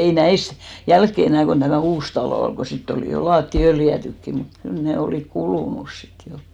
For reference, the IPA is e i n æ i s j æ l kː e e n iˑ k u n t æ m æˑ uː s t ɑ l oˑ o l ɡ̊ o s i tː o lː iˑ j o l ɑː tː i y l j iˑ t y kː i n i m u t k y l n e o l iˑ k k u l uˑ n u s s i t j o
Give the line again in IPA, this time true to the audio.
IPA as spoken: e i n æ i s j æ l kː e e n æˑ k o n t æ m æˑ uː s t ɑ l oˑ o l ɡ̊ o s i tː o l iˑ j o l ɑː tː i ø l j æˑ t y kː i n i m u t k y l n e o l iˑ k k u l uˑ n u s s i t j o